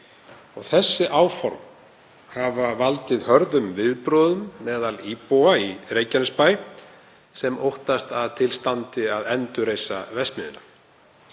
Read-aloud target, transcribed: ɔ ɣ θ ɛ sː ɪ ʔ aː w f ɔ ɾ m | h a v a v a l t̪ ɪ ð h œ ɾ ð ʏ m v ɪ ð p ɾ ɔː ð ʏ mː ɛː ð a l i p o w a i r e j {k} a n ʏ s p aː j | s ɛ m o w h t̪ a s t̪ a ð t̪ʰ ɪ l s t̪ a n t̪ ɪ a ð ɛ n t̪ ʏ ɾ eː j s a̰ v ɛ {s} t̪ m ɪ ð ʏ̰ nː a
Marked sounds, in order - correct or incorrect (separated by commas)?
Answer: incorrect, correct